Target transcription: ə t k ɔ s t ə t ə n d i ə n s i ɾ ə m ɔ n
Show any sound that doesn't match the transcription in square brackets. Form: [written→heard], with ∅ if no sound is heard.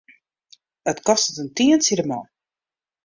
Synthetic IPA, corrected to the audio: ə t k ɔ s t ə t ə n [d→t] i ə n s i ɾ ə m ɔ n